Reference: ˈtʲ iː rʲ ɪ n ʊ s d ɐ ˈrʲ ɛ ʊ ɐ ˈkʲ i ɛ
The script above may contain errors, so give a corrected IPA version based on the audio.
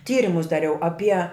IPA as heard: ˈtʲ iː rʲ ɪ m ʊ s d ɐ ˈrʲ ɛ ʊ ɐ ˈpʲ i ɛ